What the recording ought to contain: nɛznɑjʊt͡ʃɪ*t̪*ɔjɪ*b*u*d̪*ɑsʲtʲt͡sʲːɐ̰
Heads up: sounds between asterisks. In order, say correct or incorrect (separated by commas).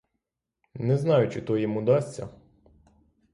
correct, incorrect, correct